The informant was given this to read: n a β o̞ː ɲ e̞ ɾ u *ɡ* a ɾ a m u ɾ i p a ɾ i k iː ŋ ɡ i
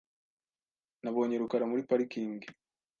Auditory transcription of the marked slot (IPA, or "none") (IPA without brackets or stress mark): k